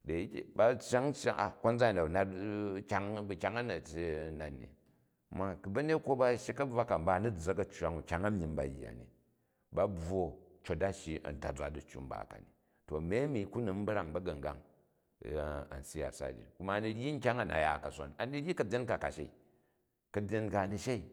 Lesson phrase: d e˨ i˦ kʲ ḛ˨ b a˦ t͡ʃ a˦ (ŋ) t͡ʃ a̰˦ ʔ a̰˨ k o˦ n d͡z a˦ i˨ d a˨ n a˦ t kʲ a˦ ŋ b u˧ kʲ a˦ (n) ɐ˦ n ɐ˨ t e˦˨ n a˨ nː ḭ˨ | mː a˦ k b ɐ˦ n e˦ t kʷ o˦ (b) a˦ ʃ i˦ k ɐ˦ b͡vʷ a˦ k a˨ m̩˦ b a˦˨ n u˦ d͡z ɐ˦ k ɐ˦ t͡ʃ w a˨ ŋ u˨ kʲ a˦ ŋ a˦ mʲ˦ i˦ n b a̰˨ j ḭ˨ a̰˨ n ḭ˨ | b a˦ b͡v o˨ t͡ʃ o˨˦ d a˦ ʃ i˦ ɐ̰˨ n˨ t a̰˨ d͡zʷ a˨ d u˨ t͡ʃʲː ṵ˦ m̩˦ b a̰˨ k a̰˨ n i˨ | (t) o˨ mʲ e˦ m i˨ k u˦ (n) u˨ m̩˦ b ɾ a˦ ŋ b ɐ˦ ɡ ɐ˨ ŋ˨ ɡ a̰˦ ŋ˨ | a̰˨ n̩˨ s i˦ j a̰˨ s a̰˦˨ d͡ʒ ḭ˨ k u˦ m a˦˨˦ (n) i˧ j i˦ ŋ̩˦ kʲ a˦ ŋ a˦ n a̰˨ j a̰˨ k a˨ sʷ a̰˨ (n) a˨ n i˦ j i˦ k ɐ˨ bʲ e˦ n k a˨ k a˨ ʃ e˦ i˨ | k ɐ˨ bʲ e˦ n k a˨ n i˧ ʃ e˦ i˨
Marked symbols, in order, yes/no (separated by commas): yes, no, yes, yes, yes, yes, yes